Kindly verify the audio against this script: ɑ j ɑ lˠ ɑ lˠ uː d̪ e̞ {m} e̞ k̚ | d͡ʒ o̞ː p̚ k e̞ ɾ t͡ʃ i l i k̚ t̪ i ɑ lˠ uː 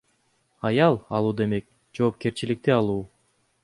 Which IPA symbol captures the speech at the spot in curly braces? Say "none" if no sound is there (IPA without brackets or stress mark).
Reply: m